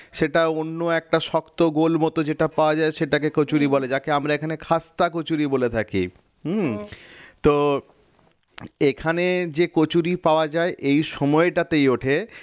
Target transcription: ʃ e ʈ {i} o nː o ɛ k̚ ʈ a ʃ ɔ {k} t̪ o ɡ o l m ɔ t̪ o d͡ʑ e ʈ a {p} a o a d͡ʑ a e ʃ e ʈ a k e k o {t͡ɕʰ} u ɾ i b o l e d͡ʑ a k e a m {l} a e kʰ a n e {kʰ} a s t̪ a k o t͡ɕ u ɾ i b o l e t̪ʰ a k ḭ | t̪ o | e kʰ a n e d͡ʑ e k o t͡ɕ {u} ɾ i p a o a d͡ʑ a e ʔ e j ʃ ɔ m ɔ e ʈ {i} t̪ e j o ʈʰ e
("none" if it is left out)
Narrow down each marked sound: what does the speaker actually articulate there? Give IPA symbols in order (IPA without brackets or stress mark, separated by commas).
a, k, p, t͡ɕ, ɾ, kʰ, u, a